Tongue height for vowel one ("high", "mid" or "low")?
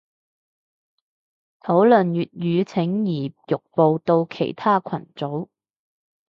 mid